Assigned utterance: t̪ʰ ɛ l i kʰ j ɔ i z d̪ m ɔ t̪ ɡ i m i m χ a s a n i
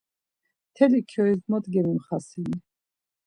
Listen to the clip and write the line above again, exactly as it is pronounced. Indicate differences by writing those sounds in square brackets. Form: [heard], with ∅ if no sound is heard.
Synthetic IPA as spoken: t̪ʰ ɛ l i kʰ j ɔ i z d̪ m ɔ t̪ ɡ [ɛ] m i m χ a s [i] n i